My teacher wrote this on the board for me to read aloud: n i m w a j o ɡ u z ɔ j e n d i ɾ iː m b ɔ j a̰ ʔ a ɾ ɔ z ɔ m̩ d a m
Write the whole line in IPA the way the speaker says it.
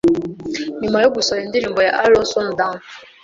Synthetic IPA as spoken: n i m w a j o ɡ u s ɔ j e n d i ɾ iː m b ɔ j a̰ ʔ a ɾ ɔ s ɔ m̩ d a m